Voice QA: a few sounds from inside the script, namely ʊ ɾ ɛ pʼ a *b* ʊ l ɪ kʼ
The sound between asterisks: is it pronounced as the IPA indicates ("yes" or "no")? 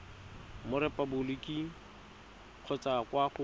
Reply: yes